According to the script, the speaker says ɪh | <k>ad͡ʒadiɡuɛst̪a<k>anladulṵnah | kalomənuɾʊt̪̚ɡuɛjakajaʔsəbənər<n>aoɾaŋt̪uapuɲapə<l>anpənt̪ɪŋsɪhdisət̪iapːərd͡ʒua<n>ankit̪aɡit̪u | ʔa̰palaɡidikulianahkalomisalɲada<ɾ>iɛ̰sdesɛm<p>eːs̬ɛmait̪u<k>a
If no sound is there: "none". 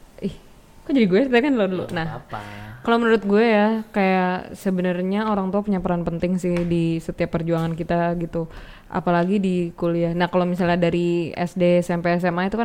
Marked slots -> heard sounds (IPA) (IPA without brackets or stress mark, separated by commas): k, k, ɲ, ɾ, ŋ, ɾ, p, k